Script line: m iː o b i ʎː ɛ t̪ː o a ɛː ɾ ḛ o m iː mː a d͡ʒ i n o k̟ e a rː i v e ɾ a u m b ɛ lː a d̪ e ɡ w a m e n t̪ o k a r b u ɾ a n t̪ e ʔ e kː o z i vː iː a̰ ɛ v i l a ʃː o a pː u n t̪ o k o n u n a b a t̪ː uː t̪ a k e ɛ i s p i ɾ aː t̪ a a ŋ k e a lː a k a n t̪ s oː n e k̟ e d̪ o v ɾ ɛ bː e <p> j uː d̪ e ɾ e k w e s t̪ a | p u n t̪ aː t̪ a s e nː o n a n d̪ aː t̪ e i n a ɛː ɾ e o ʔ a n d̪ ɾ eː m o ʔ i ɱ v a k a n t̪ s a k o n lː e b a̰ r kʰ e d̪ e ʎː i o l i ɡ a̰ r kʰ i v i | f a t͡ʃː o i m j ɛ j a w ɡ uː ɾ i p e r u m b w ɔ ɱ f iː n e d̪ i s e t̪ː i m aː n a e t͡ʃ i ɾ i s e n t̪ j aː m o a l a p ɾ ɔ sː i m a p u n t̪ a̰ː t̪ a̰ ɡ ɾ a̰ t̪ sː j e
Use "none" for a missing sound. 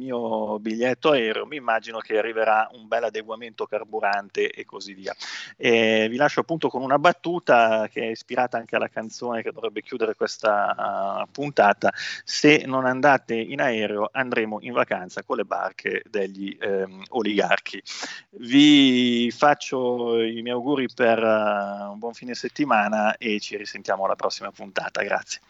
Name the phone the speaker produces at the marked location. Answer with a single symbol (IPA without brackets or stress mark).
k